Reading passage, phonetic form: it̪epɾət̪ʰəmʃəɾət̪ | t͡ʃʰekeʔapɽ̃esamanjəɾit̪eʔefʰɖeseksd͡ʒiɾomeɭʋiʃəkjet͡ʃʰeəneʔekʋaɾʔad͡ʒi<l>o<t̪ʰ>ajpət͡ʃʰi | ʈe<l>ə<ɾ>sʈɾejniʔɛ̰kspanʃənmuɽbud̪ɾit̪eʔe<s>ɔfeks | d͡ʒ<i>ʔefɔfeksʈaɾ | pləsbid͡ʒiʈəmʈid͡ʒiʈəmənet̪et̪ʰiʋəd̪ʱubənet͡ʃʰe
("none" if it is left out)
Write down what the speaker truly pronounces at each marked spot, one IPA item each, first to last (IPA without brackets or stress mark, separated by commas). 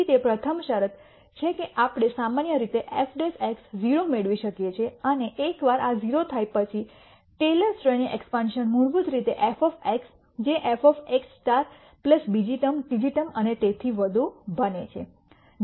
ɾ, t̪ʰ, l, ɾ, f, e